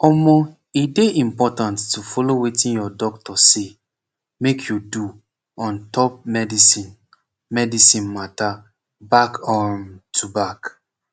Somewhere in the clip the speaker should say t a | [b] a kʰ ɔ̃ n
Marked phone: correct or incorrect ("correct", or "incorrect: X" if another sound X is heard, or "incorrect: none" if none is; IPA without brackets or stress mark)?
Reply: correct